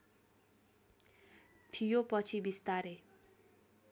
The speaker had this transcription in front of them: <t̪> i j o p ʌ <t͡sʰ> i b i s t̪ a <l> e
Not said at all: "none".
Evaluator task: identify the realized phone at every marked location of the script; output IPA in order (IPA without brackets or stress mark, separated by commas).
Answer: t̪ʰ, t͡sʰ, ɾ